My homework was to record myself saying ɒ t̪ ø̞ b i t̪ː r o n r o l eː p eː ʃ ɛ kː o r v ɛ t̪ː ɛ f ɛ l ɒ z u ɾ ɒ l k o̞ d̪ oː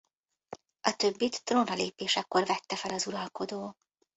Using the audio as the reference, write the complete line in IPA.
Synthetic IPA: ɒ t̪ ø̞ bː i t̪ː r o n r ɒ l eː p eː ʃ ɛ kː o r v ɛ t̪ː ɛ f ɛ l ɒ z u ɾ ɒ l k o̞ d̪ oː